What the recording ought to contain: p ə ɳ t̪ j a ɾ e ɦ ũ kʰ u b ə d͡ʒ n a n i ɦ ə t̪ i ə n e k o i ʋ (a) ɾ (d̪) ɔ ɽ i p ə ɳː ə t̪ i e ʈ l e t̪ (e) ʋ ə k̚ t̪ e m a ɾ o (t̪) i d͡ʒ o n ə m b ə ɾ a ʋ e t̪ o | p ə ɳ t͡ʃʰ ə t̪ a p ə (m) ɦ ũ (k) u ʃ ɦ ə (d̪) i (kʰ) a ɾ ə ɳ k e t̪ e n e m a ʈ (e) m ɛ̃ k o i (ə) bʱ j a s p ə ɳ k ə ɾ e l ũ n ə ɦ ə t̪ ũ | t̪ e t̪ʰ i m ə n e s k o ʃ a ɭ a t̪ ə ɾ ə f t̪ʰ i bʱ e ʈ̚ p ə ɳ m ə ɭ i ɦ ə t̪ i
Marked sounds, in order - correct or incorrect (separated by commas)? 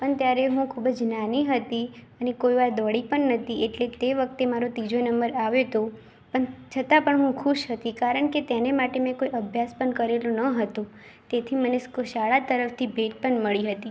correct, correct, correct, correct, incorrect, incorrect, incorrect, incorrect, correct, correct